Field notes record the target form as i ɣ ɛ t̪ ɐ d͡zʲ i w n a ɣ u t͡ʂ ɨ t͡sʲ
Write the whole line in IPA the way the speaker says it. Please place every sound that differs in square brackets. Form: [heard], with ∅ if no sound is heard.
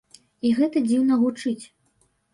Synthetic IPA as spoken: i ɣ ɛ t̪ ɐ d͡zʲ i w n [ɐ] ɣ u t͡ʂ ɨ t͡sʲ